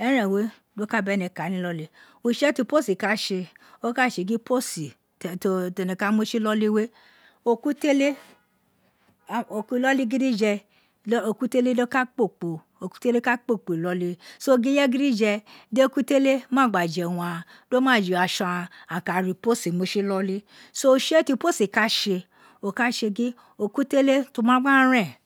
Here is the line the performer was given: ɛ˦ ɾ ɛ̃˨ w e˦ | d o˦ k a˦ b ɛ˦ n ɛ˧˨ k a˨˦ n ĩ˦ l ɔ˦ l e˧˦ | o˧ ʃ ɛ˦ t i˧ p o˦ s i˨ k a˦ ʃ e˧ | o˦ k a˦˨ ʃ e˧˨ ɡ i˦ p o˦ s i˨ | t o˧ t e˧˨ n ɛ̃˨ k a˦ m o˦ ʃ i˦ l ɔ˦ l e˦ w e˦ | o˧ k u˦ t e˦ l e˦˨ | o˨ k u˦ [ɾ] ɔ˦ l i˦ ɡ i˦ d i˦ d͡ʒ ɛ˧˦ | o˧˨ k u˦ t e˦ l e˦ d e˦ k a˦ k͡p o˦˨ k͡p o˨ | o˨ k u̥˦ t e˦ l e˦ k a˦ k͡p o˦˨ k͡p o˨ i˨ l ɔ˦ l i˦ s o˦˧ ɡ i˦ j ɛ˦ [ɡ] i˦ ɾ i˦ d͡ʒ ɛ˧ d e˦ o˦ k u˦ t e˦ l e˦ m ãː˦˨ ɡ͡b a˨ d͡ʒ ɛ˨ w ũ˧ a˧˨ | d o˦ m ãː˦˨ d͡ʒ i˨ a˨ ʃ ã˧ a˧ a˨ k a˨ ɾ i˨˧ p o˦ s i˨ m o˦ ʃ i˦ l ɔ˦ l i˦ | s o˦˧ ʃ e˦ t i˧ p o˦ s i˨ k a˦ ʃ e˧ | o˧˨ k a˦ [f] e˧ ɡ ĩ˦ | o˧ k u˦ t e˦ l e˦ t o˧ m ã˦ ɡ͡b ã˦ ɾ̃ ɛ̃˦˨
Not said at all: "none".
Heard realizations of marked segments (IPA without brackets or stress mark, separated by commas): l, ɡ, ʃ